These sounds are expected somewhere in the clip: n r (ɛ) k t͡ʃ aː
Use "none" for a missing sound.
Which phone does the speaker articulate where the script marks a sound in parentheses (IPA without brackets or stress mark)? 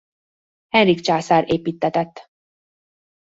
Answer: i